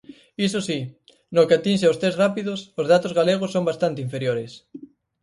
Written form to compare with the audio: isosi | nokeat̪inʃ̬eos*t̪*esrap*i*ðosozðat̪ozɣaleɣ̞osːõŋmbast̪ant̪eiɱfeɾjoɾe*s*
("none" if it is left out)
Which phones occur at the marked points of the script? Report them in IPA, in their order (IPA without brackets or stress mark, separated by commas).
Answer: t̪, i, s